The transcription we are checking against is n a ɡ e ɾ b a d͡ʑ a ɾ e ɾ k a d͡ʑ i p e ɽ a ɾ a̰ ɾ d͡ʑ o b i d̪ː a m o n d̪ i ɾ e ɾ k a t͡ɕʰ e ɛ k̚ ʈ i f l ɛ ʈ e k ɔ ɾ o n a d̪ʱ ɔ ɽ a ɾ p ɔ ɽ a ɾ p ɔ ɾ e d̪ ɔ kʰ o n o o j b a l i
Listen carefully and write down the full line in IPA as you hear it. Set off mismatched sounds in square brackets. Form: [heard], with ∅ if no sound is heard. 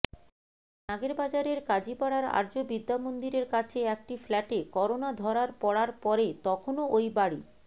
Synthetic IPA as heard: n a ɡ e ɾ b a d͡ʑ a ɾ e ɾ k a d͡ʑ i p [a] ɽ a ɾ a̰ ɾ d͡ʑ o b i d̪ː a m o n d̪ i ɾ e ɾ k a t͡ɕʰ e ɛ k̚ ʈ i f l ɛ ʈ e k ɔ ɾ o n a d̪ʱ ɔ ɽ a ɾ p ɔ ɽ a ɾ p ɔ ɾ e [t̪] ɔ kʰ o n o o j b a [ɽ] i